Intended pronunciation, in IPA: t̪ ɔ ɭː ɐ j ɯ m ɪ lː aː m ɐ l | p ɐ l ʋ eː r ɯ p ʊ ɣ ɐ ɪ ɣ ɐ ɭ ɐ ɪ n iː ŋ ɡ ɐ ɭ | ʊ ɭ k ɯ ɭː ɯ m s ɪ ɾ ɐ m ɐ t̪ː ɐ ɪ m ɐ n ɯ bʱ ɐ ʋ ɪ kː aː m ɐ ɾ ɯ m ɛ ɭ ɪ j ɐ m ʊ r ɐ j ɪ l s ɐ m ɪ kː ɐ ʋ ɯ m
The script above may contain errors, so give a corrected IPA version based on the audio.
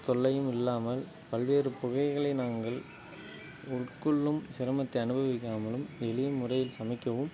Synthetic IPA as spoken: t̪ ɔ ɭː ɐ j ɯ m ɪ lː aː m ɐ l | p ɐ l ʋ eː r ɯ p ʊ ɣ ɐ ɪ ɣ ɐ ɭ ɐ ɪ n aː ŋ ɡ ɐ ɭ | ʊ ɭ k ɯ ɭː ɯ m s ɪ ɾ ɐ m ɐ t̪ː ɐ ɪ ɐ n ɯ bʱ ɐ ʋ ɪ kː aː m ɐ l ɯ m ɛ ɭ ɪ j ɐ m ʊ r ɐ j ɪ l s ɐ m ɪ kː ɐ ʋ ɯ m